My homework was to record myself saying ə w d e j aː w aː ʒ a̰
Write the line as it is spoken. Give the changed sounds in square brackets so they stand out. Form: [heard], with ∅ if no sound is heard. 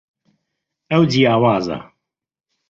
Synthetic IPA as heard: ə w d [i] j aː w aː [z] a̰